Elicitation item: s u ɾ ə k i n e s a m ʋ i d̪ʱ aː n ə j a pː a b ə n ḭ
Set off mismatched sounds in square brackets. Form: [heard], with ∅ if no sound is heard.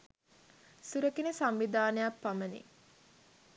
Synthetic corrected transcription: s u ɾ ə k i n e s a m ʋ i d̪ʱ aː n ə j a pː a [m] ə n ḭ